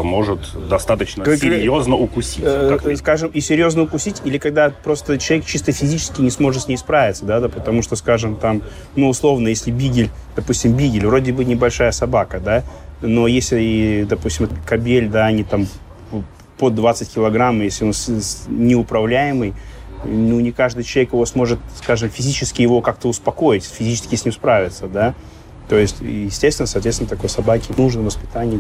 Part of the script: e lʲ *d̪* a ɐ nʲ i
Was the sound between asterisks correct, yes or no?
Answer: yes